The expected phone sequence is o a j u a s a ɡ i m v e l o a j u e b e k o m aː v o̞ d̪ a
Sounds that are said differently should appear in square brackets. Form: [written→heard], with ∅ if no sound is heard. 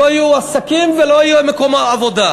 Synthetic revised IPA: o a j u a s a [ɡ→k] i m v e l o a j u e [b→m] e k o m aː v o̞ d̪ a

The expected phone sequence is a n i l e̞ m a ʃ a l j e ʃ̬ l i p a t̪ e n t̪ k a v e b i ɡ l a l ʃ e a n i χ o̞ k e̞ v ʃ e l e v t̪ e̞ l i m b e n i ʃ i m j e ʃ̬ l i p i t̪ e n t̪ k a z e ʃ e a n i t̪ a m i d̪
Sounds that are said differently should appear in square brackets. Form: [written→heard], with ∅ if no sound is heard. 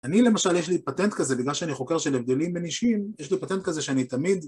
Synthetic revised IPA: a n i l e̞ m a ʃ a l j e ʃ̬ l i p a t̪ e n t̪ k a [v→z] e b i ɡ l a l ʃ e a n i χ o̞ k e̞ [v→ʁ] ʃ e l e v [t̪→d̪] e̞ l i m b e n i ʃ i m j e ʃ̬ l i p [i→a] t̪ e n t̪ k a z e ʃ e a n i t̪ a m i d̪

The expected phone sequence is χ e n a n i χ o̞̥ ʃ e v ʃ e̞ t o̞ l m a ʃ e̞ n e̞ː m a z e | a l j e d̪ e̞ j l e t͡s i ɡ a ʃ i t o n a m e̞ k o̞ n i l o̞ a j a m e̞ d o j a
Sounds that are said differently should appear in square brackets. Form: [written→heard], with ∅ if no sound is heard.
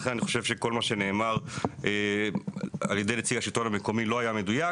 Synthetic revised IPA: χ e n a n i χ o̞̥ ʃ e v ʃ e̞ [t→k] o̞ l m a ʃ e̞ n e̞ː m a [z→ʁ] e | a l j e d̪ e̞ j l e t͡s i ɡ a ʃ i t o n a m e̞ k o̞ [n→m] i l o̞ a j a m e̞ d [o→u] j a

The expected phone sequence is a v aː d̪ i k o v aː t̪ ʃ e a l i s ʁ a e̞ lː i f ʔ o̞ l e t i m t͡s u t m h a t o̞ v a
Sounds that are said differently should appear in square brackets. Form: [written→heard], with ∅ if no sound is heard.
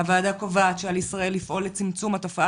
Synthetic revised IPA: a v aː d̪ [i→a] k o v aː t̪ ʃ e a l i s ʁ a e̞ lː i f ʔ o̞ l e [t→t͡s] i m t͡s u [t→∅] m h a t o̞ [v→f] a

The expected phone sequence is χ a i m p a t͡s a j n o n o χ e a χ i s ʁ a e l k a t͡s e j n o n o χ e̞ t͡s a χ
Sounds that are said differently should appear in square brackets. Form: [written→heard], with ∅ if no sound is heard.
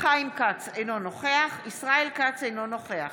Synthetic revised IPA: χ a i m [p→k] a t͡s [a→e] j n o n o χ e a χ i s ʁ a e l k a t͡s e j n o n o χ e̞ [t͡s→∅] a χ

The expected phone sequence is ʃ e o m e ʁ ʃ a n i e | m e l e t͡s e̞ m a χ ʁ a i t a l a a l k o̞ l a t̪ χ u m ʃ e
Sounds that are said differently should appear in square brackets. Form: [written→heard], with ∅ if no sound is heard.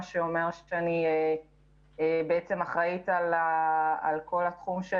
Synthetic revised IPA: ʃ e o m e ʁ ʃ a n i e | [m→b] e [l→∅] e t͡s e̞ m a χ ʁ a i t a l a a l k o̞ l a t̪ χ u m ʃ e

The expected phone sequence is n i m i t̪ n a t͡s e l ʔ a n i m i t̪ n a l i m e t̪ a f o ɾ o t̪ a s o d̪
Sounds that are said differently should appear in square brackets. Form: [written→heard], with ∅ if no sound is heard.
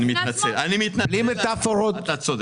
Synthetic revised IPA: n i m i t̪ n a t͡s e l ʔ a n i m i t̪ n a l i m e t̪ a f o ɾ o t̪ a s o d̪

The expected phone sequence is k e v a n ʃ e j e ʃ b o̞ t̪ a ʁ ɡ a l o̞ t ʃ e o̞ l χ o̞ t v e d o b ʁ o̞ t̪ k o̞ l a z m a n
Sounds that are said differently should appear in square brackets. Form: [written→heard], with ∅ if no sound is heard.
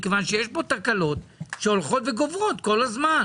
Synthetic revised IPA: k e v a n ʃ e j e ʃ b o̞ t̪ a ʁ [ɡ→k] a l o̞ t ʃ e o̞ l χ o̞ t v e [d→ɡ] o [b→v] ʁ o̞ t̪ k o̞ l a z m a n

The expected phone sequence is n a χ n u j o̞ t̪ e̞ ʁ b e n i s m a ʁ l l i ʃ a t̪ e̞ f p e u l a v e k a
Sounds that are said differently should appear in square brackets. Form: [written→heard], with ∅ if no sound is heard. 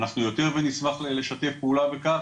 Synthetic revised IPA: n a χ n u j o̞ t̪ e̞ ʁ [b→v] e n i s m a [ʁ→χ] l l [i→e] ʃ a t̪ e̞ f p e u l a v e k a

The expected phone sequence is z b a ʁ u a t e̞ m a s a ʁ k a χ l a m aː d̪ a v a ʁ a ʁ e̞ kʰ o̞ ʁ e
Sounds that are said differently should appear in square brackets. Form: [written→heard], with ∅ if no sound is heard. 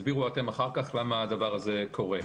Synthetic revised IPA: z b [a→i] ʁ u a t e̞ m a [s→χ] a ʁ k a χ l a m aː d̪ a v a ʁ a [ʁ→z] e̞ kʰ o̞ ʁ e

